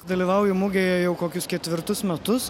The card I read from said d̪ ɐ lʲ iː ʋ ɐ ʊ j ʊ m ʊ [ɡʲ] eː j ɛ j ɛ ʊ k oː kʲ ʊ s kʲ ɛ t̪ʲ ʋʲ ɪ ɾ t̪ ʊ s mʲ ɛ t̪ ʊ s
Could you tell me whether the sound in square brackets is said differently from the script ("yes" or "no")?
no